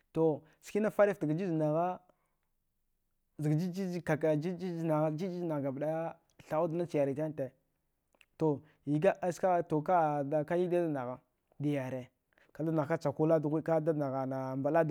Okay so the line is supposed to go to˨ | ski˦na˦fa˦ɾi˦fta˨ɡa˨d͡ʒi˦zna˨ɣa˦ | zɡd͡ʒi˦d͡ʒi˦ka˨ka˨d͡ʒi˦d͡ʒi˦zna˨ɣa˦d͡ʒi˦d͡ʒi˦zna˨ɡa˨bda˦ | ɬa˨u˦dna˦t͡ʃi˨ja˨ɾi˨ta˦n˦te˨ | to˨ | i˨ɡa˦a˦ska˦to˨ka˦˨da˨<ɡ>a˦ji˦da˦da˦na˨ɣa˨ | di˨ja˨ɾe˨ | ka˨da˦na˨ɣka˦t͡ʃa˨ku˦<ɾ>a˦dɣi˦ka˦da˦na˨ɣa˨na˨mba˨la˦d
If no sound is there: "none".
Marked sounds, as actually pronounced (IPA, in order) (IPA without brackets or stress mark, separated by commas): k, l